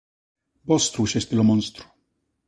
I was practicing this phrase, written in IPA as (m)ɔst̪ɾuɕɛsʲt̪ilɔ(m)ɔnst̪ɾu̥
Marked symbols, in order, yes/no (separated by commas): no, yes